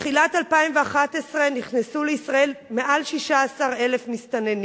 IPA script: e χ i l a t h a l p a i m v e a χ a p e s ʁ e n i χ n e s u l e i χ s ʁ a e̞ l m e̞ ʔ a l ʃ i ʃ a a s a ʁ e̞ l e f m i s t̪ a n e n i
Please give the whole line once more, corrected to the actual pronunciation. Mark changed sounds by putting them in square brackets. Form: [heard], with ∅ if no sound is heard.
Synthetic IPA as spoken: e χ i l a t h a l p a i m v e a χ a [t] e s ʁ e n i χ n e s u l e i [∅] s ʁ a e̞ l m e̞ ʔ a l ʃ i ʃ a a s a ʁ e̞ l e f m i s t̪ a n e n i

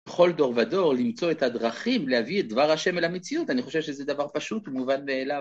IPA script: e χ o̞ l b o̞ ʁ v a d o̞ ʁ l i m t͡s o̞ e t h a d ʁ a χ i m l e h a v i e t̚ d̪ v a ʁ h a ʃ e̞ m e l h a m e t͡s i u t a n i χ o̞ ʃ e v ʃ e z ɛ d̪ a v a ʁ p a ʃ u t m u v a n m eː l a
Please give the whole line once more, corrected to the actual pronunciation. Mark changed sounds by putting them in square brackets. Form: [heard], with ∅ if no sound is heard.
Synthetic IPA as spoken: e χ o̞ l [d] o̞ ʁ v a d o̞ ʁ l i m t͡s o̞ e t h a d ʁ a χ i m l e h a v i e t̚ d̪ v a ʁ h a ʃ e̞ m e l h a m e t͡s i u t a n i χ o̞ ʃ e v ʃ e z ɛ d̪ a v a ʁ p a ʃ u t m u v a n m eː l a

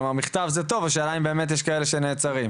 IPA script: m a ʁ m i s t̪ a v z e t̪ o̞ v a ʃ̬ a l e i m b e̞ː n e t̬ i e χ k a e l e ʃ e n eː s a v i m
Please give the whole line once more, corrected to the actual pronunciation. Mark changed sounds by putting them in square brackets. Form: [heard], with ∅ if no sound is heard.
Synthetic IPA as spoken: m a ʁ m i [χ] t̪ a v z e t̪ o̞ v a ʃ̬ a l [a] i m b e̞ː [m] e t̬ [j] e [ʃ] k a e l e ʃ e n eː [t͡s] a [ʁ] i m

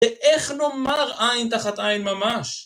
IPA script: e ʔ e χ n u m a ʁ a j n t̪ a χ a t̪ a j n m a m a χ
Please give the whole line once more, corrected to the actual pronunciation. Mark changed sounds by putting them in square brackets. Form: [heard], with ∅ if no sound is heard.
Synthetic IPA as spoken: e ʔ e χ n [o] m a ʁ a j n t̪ a χ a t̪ a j n m a m a [ʃ]

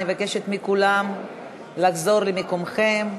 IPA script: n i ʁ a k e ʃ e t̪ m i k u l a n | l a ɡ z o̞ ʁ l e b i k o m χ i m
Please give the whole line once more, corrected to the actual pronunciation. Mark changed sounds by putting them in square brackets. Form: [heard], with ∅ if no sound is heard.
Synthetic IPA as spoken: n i [v] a k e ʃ e t̪ m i k u l a [m] | l a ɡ z o̞ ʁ l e [m] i k o m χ [e] m

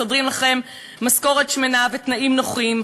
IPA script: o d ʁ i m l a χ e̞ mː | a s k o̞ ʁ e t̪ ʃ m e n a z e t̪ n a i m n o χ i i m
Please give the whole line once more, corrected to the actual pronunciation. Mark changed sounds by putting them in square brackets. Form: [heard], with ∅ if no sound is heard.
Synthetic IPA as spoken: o d ʁ i m l a χ e̞ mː | a s k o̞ ʁ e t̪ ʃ m e n a [v] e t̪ n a i m n o χ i i m

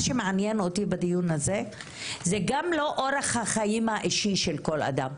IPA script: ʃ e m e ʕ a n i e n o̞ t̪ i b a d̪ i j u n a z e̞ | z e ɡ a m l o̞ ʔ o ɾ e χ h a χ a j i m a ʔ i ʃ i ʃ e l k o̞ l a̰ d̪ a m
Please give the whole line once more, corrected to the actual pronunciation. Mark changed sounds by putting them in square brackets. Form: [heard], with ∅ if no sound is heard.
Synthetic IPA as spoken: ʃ e m e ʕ a n [j] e n o̞ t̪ i b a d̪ i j u n a z e̞ | z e ɡ a m l o̞ ʔ o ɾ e χ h a χ a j i m a ʔ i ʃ i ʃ e l k o̞ l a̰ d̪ a m

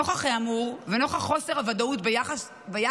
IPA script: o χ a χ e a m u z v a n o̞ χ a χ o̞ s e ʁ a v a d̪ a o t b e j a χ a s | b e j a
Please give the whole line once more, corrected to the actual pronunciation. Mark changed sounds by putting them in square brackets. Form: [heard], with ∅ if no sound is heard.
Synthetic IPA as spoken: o χ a χ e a m u [ʁ] v [e] n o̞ χ a χ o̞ s e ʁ a v a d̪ a [u] t b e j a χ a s | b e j a

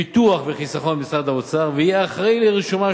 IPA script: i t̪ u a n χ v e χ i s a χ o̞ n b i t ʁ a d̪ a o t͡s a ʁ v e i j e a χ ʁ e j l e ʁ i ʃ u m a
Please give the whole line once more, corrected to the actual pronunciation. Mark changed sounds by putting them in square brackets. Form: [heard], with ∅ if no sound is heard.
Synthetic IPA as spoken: i t̪ u a [∅] χ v e χ i s a χ o̞ n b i [s] ʁ a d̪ a o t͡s a ʁ v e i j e a χ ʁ e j l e ʁ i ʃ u m a

